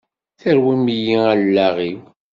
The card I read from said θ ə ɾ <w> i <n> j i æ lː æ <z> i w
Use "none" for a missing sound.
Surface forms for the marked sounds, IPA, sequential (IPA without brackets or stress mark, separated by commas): w, m, ʁ